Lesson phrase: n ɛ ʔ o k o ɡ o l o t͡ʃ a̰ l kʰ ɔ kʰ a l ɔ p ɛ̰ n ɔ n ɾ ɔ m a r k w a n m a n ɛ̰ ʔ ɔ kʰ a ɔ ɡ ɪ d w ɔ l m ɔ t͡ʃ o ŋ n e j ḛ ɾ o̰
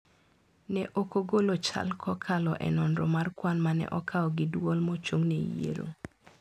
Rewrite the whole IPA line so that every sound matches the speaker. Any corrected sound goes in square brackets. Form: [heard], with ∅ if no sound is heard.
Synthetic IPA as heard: n ɛ ʔ o k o ɡ o l o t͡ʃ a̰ l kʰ ɔ kʰ a l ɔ [ʔ] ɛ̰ n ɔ n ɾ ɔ m a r k w a n m a n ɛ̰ ʔ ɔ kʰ a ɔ ɡ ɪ d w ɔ l m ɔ t͡ʃ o ŋ n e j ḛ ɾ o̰